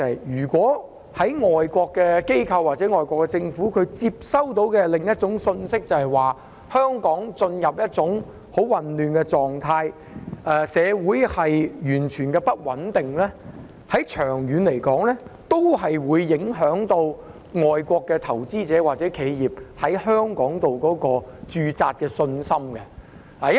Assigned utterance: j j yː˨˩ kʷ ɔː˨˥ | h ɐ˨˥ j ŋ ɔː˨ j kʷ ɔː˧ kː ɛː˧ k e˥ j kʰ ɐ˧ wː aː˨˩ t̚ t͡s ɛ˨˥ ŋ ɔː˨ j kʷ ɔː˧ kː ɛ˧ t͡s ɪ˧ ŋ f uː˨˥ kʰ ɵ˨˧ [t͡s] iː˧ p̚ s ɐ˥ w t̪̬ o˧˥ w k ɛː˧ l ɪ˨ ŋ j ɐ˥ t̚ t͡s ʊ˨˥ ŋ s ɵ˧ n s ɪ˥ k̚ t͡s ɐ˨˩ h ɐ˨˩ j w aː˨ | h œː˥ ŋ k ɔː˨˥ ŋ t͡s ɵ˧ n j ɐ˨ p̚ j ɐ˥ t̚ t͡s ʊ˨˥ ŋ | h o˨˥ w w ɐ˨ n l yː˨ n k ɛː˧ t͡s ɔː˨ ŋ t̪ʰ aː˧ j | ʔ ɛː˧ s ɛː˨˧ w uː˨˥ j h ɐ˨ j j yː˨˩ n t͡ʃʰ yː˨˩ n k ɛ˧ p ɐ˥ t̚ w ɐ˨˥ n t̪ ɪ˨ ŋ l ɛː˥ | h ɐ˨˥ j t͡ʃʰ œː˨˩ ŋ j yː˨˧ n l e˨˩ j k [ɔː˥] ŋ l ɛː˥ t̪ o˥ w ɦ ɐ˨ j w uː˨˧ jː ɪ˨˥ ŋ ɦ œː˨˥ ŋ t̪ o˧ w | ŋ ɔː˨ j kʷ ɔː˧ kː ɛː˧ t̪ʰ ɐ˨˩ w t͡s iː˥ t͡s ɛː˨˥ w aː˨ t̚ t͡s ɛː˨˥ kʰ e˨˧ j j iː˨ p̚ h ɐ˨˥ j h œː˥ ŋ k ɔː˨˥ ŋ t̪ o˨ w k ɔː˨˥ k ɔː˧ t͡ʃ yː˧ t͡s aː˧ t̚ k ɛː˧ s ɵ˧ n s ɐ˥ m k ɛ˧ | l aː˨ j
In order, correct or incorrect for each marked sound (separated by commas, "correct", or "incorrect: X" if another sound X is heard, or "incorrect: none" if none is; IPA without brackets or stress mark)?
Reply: correct, incorrect: ɔː˨˥